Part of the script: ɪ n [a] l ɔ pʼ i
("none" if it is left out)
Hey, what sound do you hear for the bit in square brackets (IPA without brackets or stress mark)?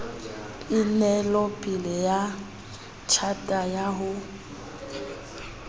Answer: ɛ